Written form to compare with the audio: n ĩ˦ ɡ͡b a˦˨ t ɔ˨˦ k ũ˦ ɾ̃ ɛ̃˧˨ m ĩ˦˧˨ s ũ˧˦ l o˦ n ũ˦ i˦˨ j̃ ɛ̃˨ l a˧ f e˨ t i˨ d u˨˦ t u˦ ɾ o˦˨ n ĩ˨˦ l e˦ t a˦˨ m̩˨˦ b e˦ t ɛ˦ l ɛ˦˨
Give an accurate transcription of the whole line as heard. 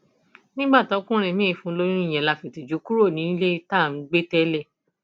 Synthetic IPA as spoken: n ĩ˦ ɡ͡b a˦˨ t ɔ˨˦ k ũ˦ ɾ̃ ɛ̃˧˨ m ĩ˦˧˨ f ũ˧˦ l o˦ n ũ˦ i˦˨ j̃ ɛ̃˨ l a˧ f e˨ t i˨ d͡ʒ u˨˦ k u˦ ɾ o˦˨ n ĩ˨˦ l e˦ t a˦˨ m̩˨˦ ɡ͡b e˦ t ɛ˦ l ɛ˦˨